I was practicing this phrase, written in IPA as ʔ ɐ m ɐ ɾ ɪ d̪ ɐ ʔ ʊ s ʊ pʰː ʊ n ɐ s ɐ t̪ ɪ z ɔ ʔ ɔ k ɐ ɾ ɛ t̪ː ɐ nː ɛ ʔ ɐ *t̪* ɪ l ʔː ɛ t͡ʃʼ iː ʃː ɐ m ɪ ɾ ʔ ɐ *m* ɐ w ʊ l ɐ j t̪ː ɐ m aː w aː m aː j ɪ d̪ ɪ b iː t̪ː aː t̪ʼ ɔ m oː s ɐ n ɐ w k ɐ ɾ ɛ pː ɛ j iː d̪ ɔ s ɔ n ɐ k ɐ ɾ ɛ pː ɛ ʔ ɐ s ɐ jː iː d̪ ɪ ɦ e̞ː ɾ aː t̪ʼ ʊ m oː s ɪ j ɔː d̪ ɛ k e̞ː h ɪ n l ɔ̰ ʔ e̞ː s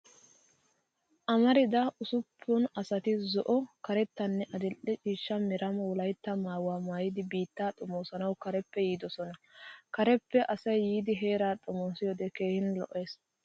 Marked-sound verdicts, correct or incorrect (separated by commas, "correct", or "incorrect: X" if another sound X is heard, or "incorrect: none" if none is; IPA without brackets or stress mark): incorrect: d̪, correct